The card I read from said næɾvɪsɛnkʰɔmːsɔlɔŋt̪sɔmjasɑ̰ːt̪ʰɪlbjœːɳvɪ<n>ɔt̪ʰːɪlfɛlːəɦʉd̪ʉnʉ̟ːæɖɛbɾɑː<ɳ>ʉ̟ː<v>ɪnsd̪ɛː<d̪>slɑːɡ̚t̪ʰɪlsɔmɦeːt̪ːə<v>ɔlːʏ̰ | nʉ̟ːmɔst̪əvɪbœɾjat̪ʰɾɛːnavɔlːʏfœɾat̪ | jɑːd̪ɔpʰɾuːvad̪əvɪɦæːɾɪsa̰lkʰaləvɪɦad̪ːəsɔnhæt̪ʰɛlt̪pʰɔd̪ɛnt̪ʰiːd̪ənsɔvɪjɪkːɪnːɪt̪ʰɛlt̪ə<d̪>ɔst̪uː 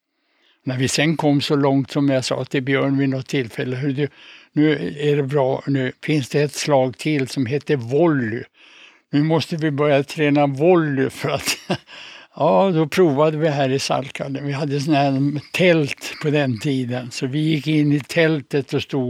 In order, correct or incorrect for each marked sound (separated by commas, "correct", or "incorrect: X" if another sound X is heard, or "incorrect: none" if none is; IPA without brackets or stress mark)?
correct, incorrect: n, incorrect: f, incorrect: t̪, correct, incorrect: t̪